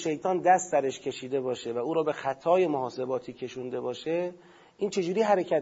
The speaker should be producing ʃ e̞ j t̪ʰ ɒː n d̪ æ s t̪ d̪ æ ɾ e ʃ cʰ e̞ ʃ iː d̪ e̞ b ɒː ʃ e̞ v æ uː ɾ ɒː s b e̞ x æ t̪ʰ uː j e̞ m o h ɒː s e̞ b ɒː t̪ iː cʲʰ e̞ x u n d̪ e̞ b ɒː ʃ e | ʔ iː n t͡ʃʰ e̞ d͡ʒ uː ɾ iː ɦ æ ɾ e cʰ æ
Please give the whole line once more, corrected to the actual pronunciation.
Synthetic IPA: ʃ e̞ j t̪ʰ ɒː n d̪ æ s t̪ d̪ æ ɾ e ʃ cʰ e̞ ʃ iː d̪ e̞ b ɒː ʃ e̞ v æ uː ɾ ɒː b e̞ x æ t̪ʰ ɒː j e̞ m o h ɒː s e̞ b ɒː t̪ʰ iː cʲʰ e̞ ʃ u n d̪ e̞ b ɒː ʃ e | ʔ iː n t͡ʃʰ e̞ d͡ʒ uː ɾ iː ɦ æ ɾ e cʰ æ